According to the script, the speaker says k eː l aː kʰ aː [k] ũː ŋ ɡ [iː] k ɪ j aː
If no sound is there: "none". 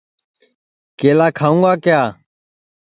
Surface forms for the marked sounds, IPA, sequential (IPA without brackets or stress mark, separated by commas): none, aː